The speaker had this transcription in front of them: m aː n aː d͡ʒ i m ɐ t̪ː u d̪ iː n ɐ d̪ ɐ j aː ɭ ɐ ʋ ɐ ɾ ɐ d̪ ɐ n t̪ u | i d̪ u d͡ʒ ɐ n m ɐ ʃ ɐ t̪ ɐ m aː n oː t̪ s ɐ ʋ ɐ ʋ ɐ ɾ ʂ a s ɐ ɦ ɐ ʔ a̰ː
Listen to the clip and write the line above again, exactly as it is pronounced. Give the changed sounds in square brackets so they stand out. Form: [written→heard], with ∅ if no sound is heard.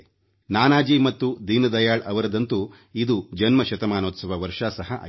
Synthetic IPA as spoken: [m→n] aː n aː d͡ʒ i m ɐ t̪ː u d̪ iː n ɐ d̪ ɐ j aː ɭ ɐ ʋ ɐ ɾ ɐ d̪ ɐ n t̪ u | i d̪ u d͡ʒ ɐ n m ɐ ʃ ɐ t̪ ɐ m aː n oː t̪ s ɐ ʋ ɐ ʋ ɐ ɾ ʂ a s ɐ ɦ ɐ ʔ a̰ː